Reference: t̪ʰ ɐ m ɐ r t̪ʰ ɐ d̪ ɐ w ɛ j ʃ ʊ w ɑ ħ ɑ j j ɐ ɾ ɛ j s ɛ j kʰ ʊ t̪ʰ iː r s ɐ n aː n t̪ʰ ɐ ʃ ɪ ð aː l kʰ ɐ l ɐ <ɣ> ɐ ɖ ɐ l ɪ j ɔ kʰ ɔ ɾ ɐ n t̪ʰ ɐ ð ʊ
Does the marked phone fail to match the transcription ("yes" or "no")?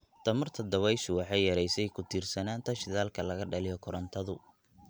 no